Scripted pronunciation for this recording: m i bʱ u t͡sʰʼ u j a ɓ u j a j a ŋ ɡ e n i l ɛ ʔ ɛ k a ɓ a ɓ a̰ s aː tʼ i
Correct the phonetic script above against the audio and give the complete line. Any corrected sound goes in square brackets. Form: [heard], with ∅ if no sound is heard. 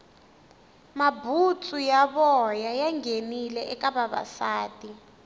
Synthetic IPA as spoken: m [a] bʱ u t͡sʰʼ u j a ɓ [ɔ] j a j a ŋ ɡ e n i l ɛ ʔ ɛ k a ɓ a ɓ a̰ s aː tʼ i